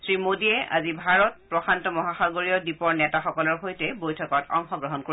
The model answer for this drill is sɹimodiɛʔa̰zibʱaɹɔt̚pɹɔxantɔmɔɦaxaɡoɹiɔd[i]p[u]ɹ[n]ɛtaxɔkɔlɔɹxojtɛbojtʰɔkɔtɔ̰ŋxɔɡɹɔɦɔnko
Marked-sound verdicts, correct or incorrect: correct, incorrect: ɔ, correct

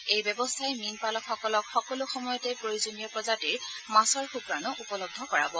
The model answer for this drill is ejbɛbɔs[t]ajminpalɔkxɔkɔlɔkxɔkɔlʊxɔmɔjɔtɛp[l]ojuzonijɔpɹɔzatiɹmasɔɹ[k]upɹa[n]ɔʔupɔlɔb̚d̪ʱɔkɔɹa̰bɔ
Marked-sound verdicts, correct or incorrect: incorrect: tʰ, incorrect: ɹ, incorrect: x, correct

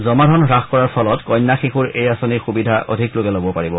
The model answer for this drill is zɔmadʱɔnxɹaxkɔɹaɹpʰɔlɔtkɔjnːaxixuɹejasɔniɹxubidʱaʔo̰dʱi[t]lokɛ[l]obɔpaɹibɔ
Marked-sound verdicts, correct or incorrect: incorrect: k, correct

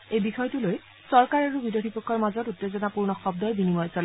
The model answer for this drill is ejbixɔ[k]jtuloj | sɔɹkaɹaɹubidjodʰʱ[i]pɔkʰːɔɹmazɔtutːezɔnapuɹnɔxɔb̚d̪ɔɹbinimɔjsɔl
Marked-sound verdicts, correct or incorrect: incorrect: none, correct

